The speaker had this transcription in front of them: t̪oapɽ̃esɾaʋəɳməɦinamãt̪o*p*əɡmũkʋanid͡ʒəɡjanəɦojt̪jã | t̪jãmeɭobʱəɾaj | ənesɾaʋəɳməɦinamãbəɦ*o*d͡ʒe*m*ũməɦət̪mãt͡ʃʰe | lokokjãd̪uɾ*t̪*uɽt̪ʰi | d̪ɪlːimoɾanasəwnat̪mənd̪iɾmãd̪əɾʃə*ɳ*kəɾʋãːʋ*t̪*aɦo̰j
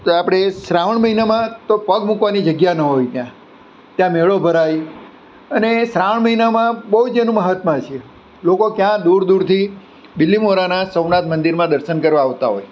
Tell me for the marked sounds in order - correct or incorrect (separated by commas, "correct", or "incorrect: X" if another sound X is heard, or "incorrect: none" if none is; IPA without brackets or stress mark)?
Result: correct, incorrect: u, incorrect: n, incorrect: d̪, incorrect: n, correct